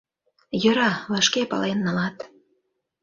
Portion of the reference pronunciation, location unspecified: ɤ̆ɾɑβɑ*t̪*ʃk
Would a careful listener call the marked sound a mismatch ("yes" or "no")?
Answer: yes